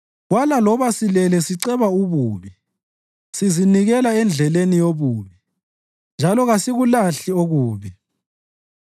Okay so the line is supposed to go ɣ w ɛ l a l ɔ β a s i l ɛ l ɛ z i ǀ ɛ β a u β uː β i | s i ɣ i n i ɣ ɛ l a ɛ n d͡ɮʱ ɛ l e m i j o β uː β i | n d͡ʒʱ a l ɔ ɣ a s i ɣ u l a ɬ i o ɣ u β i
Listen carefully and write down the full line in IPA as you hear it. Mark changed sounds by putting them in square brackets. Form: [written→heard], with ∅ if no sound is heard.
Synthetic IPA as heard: ɣ w [ɛ→a] l a l ɔ β a s i l ɛ l ɛ [z→s] i ǀ ɛ β a u β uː β i | s i [ɣ→z] i n i ɣ ɛ l a ɛ n d͡ɮʱ ɛ l e [m→n] i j o β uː β i | n d͡ʒʱ a l ɔ ɣ a s i ɣ u l a ɬ i o ɣ [u→uː] β i